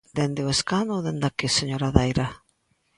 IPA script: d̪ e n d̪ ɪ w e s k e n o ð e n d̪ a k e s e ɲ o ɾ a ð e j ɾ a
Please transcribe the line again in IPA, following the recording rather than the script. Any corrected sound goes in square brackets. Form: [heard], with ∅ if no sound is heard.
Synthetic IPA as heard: d̪ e n d̪ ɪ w e s k [a] n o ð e n d̪ a k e s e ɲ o ɾ a ð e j ɾ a